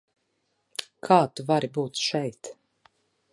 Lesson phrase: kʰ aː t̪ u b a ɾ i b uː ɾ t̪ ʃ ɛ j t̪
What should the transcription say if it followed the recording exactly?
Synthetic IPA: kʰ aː t̪ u v a ɾ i b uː t̪ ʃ ɛ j t̪